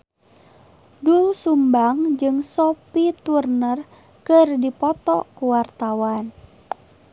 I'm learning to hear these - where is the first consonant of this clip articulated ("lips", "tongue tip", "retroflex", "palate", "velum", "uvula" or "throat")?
tongue tip